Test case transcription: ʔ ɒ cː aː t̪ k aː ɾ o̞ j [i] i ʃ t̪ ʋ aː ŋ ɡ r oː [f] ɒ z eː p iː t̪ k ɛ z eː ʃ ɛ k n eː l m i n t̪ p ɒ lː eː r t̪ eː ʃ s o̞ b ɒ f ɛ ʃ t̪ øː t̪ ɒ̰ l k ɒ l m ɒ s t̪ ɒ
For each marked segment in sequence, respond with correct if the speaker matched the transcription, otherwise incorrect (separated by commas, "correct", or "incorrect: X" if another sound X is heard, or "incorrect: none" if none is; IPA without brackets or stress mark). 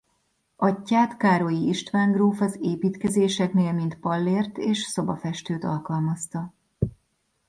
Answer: correct, correct